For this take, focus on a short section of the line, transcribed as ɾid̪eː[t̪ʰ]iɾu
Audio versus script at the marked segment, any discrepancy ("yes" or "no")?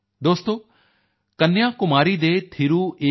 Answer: no